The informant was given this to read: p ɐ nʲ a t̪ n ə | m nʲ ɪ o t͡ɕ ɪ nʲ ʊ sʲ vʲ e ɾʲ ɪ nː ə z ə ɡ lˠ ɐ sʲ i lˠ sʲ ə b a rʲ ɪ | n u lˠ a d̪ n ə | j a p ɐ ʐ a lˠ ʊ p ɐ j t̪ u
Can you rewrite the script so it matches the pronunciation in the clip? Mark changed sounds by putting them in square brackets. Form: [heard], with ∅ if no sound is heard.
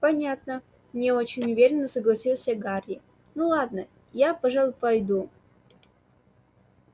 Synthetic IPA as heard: p ɐ nʲ a t̪ n ə | m nʲ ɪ o t͡ɕ ɪ nʲ ʊ [∅] vʲ e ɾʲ ɪ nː ə [s] ə ɡ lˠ ɐ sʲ i lˠ sʲ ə [ɡ] a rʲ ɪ | n u lˠ a d̪ n ə | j a p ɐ ʐ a lˠ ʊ p ɐ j [d̪] u

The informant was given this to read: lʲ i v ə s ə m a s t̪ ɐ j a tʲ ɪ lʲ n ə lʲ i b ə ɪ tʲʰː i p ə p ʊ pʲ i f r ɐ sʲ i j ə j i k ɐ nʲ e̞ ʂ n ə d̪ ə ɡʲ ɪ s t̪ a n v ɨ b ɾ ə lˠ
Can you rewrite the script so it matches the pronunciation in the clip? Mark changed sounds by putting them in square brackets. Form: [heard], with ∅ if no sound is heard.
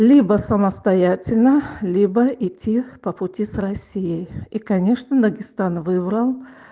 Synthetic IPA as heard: lʲ i [b] ə s ə m [ə] s t̪ ɐ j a tʲ ɪ lʲ n ə lʲ i b ə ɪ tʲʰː i p ə p ʊ [tʲ] i [s] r ɐ sʲ i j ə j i k ɐ nʲ e̞ ʂ n ə d̪ ə ɡʲ ɪ s t̪ a n v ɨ b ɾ ə lˠ

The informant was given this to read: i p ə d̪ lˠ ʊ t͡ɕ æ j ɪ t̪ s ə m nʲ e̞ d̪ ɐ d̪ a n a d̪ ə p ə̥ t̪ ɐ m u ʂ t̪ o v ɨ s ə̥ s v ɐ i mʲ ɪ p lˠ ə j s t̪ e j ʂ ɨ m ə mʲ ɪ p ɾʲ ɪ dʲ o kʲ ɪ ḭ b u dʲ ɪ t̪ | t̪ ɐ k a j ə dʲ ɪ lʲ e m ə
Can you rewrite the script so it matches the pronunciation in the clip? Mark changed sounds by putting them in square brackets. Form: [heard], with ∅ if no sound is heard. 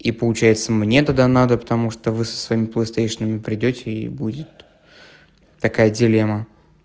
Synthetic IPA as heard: i p ə [∅] lˠ ʊ t͡ɕ æ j ɪ t̪ s ə m nʲ e̞ [t̪] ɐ d̪ a n a d̪ ə p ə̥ t̪ ɐ m u ʂ t̪ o v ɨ s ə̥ s v ɐ i mʲ ɪ p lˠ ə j s t̪ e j ʂ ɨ [n] ə mʲ ɪ p ɾʲ ɪ dʲ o [tʲ] ɪ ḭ b u dʲ ɪ t̪ | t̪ ɐ k a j ə dʲ ɪ lʲ e m ə

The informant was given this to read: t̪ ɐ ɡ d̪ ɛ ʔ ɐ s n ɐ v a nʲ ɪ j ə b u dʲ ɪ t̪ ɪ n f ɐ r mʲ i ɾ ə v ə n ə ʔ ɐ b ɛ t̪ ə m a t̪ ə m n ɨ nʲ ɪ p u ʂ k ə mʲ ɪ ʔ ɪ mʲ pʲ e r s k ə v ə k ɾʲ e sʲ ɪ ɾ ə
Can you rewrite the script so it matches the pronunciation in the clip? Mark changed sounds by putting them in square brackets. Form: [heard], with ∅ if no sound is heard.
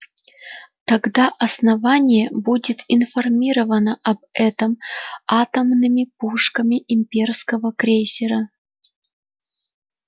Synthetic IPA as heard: t̪ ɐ ɡ d̪ [a] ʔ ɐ s n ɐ v a nʲ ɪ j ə b u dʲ ɪ t̪ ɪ n f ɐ r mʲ i ɾ ə v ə n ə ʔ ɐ b ɛ t̪ ə m a t̪ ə m n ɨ [mʲ] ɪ p u ʂ k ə mʲ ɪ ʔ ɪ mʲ pʲ e r s k ə v ə k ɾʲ e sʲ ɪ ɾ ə

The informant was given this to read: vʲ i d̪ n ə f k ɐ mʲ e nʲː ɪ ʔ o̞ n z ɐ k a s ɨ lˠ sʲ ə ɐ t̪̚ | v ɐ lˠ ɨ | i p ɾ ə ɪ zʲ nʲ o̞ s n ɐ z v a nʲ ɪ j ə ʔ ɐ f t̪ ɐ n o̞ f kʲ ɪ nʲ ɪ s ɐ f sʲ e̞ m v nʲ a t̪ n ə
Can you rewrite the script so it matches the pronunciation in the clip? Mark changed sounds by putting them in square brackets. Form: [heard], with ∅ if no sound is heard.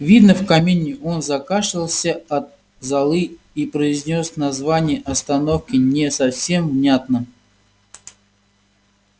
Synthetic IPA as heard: vʲ i d̪ n ə f k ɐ mʲ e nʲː ɪ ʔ o̞ n z ɐ k a [ʂ] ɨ lˠ sʲ ə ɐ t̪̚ | [z] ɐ lˠ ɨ | i p ɾ ə ɪ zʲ nʲ o̞ s n ɐ z v a nʲ ɪ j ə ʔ ɐ [s] t̪ ɐ n o̞ f kʲ ɪ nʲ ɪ s ɐ f sʲ e̞ m v nʲ a t̪ n ə

